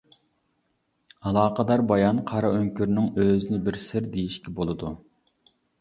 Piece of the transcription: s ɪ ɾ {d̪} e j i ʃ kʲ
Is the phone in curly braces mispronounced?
no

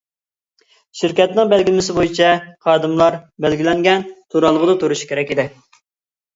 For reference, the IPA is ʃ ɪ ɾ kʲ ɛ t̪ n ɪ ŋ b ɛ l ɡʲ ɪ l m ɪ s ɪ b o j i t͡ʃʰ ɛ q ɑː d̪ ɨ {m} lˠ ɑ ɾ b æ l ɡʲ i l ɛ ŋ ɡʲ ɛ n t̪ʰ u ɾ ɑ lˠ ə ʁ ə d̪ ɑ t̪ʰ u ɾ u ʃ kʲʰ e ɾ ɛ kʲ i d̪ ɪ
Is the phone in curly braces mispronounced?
no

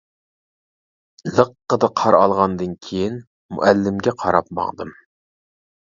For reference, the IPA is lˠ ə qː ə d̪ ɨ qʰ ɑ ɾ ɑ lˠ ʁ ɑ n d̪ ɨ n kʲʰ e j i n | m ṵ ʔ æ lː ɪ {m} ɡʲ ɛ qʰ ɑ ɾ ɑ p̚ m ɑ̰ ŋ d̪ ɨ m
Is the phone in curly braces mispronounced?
no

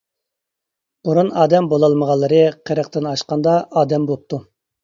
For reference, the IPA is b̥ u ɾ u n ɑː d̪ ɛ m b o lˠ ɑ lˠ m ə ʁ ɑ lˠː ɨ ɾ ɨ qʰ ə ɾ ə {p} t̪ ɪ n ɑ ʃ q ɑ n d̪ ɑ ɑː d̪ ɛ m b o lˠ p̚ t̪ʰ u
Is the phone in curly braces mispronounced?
yes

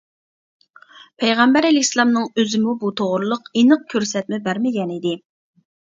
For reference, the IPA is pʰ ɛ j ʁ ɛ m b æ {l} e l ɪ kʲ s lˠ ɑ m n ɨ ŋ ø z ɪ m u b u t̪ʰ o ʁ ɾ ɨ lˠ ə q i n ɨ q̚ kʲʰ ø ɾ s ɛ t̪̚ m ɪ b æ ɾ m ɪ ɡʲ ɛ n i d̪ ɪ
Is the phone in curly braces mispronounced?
yes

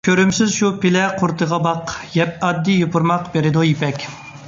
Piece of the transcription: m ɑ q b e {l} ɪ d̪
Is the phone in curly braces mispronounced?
yes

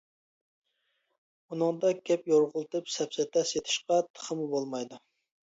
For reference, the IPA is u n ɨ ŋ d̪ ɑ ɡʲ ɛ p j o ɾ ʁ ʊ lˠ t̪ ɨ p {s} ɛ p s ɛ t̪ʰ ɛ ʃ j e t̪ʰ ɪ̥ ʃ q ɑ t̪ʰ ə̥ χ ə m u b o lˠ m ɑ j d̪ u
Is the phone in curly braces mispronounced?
no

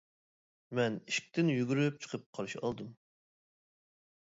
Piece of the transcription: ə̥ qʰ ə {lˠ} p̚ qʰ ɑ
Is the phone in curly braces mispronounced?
yes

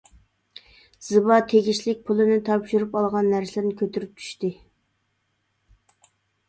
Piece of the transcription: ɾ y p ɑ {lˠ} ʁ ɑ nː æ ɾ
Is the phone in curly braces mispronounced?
no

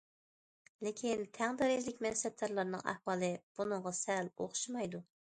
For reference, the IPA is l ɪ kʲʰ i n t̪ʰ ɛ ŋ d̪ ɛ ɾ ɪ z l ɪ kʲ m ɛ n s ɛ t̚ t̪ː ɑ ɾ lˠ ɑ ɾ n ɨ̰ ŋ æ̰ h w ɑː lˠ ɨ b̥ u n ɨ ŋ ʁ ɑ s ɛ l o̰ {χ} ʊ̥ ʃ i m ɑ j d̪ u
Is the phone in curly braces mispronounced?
no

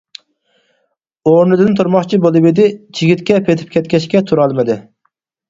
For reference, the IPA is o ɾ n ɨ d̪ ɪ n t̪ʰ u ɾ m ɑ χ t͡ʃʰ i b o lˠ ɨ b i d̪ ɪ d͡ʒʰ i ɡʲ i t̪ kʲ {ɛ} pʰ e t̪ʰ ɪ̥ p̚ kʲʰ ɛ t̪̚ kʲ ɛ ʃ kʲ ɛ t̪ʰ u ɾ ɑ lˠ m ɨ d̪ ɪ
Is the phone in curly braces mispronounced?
no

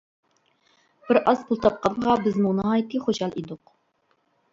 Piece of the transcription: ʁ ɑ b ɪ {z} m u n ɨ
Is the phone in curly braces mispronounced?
no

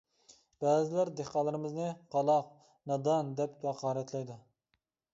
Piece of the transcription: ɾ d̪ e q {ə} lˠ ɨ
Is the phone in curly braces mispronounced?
yes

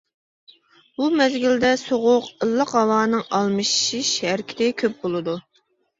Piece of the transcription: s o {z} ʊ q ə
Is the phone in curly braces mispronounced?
yes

